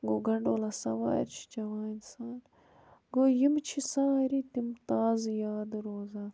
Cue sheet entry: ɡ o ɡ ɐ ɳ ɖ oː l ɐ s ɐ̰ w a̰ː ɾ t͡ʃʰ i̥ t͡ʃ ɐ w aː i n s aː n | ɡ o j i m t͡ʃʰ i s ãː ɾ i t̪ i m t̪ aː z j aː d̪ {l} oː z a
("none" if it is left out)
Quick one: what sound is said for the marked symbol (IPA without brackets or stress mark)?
ɾ